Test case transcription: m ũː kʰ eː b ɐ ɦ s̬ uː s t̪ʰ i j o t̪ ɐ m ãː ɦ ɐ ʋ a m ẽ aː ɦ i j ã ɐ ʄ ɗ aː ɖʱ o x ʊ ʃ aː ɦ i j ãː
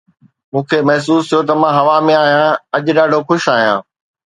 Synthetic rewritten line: m ũː kʰ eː m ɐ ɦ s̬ uː s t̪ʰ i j o t̪ ɐ m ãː ɦ ɐ ʋ a m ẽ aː ɦ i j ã ɐ ʄ ɗ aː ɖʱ o x ʊ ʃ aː ɦ i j ãː